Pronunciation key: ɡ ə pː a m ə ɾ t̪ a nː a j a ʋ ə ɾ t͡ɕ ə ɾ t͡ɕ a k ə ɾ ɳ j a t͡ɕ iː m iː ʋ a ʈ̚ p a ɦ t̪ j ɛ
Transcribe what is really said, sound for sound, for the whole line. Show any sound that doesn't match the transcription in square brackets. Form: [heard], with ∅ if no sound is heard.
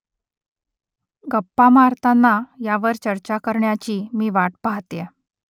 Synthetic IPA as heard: ɡ ə pː a m [a] ɾ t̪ a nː a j a ʋ ə ɾ t͡ɕ ə ɾ t͡ɕ a k ə ɾ ɳ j a t͡ɕ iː m iː ʋ a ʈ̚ p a ɦ t̪ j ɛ